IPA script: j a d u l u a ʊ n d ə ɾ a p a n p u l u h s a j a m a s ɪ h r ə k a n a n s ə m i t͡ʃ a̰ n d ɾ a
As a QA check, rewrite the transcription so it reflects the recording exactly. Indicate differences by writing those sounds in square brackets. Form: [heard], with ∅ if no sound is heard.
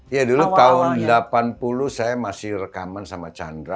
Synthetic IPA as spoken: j a d u l u a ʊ n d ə [l] a p a n p u l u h s a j a m a s ɪ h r ə k a [m] a n s [a] m [a] t͡ʃ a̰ n d ɾ a